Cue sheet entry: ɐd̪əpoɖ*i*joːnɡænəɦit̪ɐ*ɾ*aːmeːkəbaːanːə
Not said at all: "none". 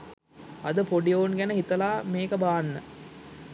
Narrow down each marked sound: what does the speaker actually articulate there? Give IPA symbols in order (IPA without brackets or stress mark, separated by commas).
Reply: i, l